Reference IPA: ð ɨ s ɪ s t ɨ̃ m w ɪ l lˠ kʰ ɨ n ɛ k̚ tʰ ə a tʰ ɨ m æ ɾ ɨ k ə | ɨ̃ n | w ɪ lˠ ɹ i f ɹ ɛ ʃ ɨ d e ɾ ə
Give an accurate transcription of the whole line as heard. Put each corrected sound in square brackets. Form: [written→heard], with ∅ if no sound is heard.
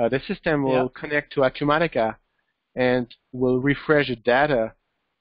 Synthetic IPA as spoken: ð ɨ s ɪ s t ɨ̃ m w ɪ l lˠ kʰ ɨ n ɛ k̚ tʰ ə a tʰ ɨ m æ ɾ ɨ k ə | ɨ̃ n | w ɪ lˠ ɹ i f ɹ ɛ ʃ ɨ d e ɾ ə

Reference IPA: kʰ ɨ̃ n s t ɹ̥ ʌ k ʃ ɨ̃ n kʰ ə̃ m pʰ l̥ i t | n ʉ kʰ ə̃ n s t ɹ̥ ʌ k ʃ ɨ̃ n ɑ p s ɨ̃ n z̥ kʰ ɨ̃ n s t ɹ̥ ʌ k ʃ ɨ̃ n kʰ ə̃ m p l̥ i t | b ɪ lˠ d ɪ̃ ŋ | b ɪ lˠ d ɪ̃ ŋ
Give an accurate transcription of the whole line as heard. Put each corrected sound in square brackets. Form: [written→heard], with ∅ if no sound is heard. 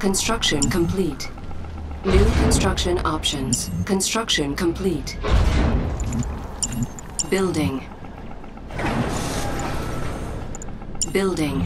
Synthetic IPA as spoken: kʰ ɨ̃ n s t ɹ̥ ʌ k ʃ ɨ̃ n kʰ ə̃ m pʰ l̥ i t | n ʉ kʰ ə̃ n s t ɹ̥ ʌ k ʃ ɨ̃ n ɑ p [s→ʃ] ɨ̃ n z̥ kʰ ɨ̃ n s t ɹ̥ ʌ k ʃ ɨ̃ n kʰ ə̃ m [p→pʰ] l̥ i t | b ɪ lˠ d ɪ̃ ŋ | b ɪ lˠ d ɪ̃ ŋ

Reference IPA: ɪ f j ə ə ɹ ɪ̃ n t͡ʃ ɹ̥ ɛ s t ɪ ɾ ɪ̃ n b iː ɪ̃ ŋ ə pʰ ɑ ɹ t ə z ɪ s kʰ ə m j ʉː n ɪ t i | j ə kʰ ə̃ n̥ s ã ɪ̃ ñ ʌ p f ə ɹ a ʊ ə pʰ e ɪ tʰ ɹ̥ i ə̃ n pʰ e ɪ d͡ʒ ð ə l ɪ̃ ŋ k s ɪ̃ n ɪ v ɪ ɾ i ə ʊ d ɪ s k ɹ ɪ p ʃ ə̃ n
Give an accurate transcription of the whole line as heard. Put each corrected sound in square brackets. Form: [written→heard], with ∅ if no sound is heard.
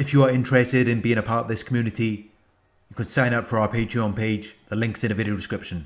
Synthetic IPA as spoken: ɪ f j ə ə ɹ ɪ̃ n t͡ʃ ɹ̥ ɛ s t ɪ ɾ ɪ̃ n b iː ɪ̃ ŋ ə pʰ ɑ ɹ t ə [z→ð] ɪ s kʰ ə m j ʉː n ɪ t i | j ə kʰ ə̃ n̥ s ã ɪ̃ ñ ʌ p f ə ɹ a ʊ ə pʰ e ɪ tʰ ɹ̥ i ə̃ n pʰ e ɪ d͡ʒ ð ə l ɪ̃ ŋ k s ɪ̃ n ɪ v ɪ ɾ i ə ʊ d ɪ s k ɹ ɪ p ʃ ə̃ n

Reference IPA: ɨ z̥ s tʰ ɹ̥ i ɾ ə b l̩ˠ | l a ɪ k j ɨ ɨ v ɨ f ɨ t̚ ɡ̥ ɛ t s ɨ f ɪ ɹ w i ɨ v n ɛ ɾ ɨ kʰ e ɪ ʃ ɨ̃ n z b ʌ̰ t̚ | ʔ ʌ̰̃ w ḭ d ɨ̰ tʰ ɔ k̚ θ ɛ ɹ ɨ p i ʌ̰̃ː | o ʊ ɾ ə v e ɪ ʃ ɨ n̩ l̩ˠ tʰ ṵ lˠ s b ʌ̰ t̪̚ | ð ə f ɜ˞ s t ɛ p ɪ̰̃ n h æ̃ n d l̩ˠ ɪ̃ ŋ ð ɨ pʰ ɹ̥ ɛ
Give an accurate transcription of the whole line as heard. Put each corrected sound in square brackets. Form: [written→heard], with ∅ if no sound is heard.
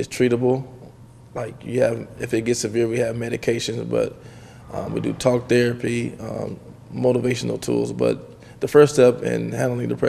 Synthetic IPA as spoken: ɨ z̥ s tʰ ɹ̥ i ɾ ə b l̩ˠ | l a ɪ k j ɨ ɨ v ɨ f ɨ t̚ ɡ̥ ɛ t s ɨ [f→v] ɪ ɹ w i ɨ v [n→m] ɛ ɾ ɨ kʰ e ɪ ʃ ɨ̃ n z b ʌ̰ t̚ | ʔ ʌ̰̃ w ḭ d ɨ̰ tʰ ɔ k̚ θ ɛ ɹ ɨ p i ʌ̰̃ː | o ʊ ɾ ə v e ɪ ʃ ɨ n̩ l̩ˠ tʰ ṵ lˠ [s→z] b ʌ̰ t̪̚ | ð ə f ɜ˞ s t ɛ p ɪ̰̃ n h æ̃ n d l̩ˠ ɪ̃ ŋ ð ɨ pʰ ɹ̥ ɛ

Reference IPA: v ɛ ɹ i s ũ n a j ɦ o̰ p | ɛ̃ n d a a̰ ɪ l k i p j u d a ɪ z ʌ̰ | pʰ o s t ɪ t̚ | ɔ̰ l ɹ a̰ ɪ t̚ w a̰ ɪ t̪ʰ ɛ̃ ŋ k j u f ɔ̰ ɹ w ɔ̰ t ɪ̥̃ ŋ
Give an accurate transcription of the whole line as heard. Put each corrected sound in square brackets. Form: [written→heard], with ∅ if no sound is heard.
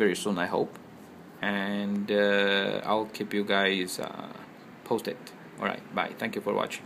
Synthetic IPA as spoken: v ɛ ɹ i s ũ n a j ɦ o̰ p | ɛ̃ n d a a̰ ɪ l [k→kʰ] i p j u [d→ɡ] a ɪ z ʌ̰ | pʰ o s t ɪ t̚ | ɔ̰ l ɹ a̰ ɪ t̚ [w→b] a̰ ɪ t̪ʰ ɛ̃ ŋ k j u f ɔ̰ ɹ w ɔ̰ [t→t͡ʃ] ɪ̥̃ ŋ

